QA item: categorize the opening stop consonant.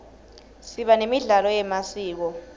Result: implosive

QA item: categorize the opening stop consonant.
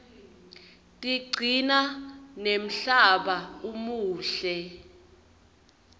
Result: ejective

